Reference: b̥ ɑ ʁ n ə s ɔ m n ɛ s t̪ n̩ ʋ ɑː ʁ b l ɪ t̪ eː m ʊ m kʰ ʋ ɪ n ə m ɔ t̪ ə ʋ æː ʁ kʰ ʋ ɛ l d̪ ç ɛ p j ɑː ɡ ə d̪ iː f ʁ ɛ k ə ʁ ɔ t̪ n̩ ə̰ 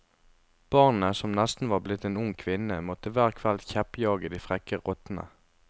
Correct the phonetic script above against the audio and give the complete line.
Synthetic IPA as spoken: b̥ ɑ ʁ n ə s ɔ m n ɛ s t̪ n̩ ʋ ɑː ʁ b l ɪ t̪ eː n ʊ ŋ kʰ ʋ ɪ n ə m ɔ t̪ ə ʋ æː ʁ kʰ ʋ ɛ l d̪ ç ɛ p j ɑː ɡ ə d̪ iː f ʁ ɛ k ə ʁ ɔ t̪ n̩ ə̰